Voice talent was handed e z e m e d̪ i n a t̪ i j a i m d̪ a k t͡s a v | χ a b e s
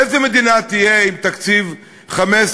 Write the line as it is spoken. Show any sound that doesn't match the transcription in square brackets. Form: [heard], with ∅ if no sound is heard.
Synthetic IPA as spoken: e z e m e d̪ i n a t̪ i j [e] i m [t̪] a k t͡s [i] v | χ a [m] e s